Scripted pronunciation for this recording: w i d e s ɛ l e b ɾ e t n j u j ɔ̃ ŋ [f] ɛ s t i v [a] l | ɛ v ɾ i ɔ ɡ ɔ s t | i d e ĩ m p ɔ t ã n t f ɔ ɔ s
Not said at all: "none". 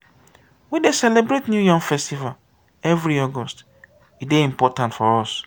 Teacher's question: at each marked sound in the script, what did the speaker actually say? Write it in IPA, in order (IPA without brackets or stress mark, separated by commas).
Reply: f, a